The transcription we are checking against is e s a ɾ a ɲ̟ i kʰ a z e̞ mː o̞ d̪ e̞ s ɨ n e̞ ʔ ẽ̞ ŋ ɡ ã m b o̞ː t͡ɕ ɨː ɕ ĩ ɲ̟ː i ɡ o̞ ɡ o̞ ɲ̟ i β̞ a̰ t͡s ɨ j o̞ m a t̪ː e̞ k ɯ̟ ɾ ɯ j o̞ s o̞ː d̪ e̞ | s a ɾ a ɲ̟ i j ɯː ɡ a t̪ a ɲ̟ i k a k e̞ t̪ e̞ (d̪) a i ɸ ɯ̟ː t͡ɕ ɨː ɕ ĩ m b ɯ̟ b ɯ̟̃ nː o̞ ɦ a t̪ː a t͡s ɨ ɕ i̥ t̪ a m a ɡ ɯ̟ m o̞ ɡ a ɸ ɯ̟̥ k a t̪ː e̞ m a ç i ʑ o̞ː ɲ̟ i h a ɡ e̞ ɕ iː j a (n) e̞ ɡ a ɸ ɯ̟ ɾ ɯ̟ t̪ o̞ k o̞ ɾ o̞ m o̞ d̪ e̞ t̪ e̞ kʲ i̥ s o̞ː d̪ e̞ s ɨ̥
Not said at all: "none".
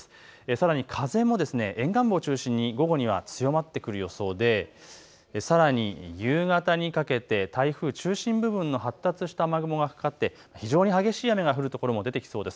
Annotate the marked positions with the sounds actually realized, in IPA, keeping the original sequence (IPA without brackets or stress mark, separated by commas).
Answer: t̪, m